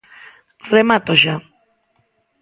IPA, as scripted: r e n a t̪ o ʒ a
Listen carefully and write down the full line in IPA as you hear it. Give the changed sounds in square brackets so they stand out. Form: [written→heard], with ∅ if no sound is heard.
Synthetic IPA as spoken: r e [n→m] a t̪ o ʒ a